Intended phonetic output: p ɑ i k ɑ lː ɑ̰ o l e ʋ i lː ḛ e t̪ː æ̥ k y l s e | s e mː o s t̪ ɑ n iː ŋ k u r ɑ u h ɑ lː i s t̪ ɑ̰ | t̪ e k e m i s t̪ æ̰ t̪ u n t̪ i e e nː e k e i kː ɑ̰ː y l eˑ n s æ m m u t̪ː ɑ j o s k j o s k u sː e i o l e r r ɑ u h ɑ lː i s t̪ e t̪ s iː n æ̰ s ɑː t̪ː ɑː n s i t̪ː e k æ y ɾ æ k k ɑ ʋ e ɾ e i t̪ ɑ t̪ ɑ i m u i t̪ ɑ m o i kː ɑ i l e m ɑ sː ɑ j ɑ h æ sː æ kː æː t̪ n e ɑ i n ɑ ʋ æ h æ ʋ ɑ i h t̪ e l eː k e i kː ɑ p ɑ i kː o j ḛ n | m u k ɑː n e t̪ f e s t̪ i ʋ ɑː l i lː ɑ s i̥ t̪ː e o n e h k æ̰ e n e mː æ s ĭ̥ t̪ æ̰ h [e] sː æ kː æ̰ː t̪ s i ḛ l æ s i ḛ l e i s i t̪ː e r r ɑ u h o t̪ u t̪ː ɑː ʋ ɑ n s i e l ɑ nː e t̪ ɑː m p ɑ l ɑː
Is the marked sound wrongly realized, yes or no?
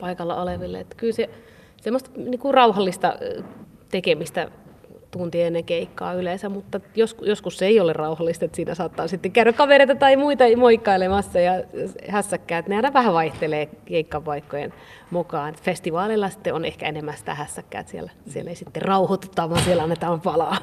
yes